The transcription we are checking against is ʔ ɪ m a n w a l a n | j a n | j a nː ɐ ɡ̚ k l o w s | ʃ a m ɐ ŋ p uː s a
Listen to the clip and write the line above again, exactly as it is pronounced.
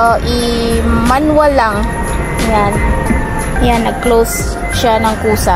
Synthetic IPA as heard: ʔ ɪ m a n w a l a ŋ | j a n | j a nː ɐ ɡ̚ k l o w s | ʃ a n ɐ ŋ k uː s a